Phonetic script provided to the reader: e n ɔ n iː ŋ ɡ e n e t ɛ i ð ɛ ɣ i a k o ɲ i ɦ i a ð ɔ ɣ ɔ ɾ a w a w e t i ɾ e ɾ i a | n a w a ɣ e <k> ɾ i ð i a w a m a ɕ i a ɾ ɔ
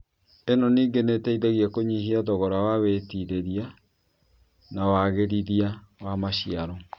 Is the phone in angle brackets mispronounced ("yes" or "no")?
yes